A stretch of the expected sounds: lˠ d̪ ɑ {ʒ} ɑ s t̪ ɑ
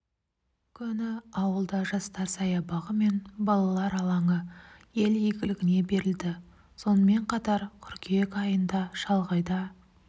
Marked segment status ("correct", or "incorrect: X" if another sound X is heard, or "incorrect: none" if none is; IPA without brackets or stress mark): correct